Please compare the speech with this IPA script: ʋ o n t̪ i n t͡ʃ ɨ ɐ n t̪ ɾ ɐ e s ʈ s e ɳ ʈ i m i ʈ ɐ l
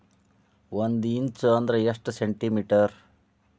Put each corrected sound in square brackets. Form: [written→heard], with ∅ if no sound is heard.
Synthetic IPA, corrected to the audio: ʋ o n [t̪→d̪] i n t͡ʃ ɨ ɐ n [t̪→d̪] ɾ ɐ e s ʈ s e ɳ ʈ i m i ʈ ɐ [l→ɾ]